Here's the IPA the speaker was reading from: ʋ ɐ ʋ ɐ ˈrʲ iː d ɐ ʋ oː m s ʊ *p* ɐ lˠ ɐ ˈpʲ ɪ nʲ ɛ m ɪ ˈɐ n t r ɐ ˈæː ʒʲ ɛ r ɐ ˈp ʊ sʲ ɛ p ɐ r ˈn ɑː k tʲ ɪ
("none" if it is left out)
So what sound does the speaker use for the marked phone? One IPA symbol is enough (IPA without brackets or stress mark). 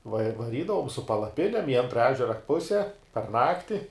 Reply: p